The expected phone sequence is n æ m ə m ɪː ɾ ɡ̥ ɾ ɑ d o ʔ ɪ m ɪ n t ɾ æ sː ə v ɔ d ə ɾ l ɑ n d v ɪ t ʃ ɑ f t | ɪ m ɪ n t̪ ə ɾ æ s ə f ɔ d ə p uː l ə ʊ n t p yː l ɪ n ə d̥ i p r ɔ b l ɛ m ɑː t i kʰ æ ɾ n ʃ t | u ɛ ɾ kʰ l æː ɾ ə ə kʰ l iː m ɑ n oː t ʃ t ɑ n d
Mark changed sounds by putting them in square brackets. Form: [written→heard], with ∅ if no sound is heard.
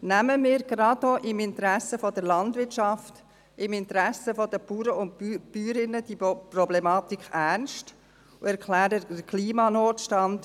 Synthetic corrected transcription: n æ m ə m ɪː ɾ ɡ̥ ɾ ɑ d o ʔ ɪ m ɪ n t ɾ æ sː ə [v→f] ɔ d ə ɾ l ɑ n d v ɪ t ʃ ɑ f t | ɪ m ɪ n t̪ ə ɾ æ s ə f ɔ d ə p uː [l→ɾ] ə ʊ n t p yː [l→ɾ] ɪ n ə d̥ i p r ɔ b l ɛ m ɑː t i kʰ æ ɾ n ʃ t | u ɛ ɾ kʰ l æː ɾ ə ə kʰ l iː m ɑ n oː t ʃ t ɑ n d